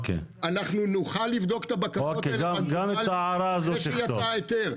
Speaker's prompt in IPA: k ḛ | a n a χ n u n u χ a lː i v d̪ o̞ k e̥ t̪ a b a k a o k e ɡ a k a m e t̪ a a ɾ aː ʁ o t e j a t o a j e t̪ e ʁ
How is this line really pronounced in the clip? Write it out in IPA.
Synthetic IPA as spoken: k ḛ | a n a χ n u n u χ a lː i v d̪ o̞ k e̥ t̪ a b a k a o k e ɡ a ɡ a m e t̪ a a ɾ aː z o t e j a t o a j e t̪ e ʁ